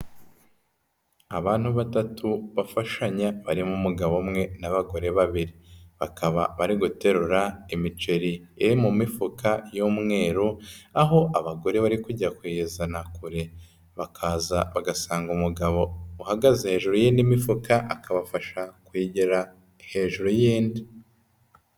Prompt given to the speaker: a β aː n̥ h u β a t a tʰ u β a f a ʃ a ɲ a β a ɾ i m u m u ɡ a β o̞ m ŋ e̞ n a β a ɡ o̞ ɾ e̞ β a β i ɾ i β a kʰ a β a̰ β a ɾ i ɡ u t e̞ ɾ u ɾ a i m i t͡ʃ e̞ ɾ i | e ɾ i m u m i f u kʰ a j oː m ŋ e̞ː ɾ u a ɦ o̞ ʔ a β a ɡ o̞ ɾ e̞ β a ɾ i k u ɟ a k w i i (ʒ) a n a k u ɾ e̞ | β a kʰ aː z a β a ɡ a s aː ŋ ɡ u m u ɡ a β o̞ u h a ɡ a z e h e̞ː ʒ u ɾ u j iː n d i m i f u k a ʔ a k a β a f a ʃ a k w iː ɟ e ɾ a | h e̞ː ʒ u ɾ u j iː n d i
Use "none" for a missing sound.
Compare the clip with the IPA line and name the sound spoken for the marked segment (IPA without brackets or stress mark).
z